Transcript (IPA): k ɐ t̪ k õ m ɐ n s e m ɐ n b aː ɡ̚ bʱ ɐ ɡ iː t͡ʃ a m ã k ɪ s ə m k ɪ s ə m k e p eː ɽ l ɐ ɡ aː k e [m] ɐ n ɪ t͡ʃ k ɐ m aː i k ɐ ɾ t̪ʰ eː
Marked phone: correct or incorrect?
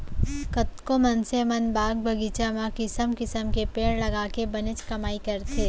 incorrect